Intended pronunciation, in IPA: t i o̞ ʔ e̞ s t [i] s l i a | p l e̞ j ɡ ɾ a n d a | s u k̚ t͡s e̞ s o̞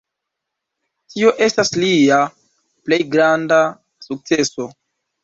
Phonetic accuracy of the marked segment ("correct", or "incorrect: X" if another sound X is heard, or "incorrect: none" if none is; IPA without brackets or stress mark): incorrect: a